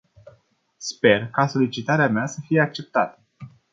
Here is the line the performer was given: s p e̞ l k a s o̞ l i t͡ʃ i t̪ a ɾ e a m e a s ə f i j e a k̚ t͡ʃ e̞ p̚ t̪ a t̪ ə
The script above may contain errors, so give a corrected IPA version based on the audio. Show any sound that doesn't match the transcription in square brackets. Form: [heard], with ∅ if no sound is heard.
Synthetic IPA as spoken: s p e̞ [r] k a s o̞ l i t͡ʃ i t̪ a ɾ e a m e a s ə f i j e a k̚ t͡ʃ e̞ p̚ t̪ a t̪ ə